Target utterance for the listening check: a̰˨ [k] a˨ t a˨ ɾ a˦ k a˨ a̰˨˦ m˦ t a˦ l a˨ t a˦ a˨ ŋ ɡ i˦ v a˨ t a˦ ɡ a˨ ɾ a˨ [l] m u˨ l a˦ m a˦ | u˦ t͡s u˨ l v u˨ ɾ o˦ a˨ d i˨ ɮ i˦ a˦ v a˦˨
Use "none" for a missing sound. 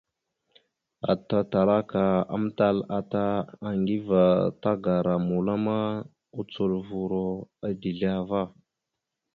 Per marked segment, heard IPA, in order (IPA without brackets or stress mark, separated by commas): t, none